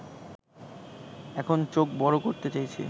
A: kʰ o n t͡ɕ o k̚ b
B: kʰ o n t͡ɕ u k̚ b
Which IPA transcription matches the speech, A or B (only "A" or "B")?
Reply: A